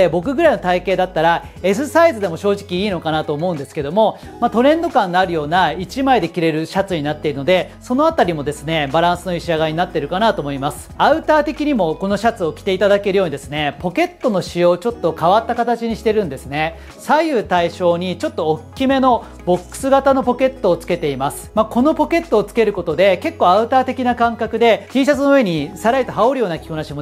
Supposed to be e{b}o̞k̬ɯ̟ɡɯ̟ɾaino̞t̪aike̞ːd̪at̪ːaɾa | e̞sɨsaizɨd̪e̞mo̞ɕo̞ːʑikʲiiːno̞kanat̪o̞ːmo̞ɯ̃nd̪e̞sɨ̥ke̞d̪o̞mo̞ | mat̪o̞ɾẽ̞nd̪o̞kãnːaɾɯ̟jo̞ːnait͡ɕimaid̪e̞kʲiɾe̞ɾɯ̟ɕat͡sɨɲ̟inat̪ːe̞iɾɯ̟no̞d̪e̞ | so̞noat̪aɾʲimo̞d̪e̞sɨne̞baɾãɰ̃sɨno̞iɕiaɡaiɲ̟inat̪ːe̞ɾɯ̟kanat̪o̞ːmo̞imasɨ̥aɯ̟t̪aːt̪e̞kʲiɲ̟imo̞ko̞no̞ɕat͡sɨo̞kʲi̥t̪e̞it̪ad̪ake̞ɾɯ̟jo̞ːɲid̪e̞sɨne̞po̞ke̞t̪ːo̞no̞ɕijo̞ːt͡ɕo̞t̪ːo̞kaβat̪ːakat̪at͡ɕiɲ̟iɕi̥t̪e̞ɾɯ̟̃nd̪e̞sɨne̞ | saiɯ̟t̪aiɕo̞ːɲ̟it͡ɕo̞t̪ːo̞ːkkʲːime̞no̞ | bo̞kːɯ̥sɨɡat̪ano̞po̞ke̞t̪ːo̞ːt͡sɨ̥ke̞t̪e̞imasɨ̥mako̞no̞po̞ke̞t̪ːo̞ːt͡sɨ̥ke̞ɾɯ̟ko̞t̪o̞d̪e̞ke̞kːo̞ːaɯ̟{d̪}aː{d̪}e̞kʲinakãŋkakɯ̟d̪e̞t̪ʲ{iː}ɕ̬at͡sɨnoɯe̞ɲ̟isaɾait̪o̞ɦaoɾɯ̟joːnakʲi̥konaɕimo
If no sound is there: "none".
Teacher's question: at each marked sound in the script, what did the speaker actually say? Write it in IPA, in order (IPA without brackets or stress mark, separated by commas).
b, t̪, t̪, iː